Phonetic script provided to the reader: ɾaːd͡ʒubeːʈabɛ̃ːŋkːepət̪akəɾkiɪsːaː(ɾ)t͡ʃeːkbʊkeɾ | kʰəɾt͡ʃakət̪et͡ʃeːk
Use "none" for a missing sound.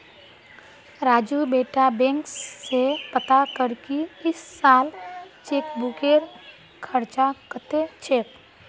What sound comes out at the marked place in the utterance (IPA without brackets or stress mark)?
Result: l